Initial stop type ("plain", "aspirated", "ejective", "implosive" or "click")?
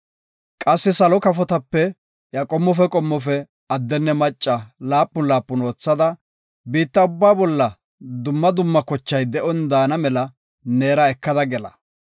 ejective